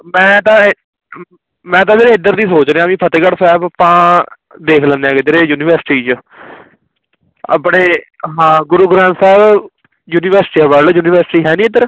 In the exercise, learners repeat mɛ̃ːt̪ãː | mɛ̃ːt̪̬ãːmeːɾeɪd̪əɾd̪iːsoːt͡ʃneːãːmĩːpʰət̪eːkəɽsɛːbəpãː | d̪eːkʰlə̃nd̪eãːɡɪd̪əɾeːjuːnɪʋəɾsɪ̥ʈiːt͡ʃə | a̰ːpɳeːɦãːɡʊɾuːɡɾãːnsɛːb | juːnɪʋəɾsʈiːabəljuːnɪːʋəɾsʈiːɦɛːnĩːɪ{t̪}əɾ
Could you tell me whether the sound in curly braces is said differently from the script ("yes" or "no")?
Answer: yes